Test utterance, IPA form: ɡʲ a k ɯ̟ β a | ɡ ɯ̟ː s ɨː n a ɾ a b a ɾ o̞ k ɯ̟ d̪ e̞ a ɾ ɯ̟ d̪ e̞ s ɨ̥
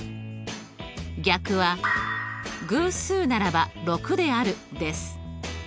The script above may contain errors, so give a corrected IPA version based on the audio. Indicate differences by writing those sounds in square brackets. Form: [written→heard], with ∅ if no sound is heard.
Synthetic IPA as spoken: ɡʲ a k ɯ̟ β a | ɡ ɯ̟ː s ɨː n a ɾ a b a ɾ o̞ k ɯ̟ d̪ e̞ a ɾ ɯ̟ d̪ e̞ s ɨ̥